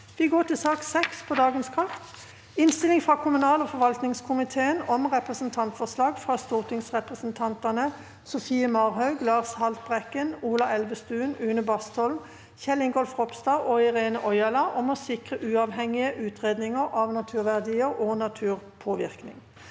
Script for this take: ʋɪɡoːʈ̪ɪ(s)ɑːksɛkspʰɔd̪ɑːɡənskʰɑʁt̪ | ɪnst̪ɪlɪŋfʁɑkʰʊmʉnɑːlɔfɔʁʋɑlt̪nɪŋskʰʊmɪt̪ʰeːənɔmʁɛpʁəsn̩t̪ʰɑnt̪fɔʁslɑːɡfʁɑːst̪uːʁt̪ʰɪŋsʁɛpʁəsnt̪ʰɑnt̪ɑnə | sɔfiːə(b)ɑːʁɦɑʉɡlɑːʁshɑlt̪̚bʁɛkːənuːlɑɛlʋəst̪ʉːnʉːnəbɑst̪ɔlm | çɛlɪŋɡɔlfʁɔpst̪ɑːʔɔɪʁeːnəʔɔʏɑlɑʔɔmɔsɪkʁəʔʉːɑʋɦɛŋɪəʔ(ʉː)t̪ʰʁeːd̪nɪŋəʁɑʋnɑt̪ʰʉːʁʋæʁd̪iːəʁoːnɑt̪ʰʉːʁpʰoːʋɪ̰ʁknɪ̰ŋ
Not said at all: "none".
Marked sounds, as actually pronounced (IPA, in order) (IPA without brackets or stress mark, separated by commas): s, m, ʉː